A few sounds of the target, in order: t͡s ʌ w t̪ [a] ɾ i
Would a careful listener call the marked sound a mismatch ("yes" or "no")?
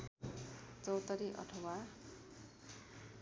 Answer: yes